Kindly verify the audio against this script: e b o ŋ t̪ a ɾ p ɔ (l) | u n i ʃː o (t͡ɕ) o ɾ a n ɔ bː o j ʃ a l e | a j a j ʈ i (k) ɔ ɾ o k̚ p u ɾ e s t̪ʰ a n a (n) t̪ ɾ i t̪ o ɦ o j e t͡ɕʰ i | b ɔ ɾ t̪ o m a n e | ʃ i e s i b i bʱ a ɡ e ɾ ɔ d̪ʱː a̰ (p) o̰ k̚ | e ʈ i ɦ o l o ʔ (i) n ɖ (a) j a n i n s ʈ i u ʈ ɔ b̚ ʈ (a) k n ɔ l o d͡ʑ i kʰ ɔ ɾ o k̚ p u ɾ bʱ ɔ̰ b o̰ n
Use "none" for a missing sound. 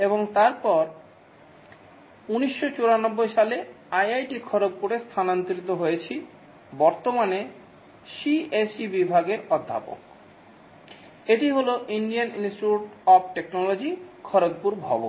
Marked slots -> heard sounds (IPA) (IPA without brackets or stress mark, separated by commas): ɾ, t͡ɕ, kʰ, n, p, i, i, e